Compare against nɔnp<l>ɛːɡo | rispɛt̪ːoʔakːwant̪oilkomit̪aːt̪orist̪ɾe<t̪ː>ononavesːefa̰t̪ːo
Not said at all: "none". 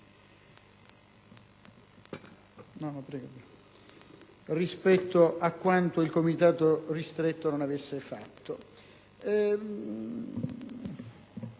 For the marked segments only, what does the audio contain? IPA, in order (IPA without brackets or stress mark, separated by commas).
ɾ, t̪ː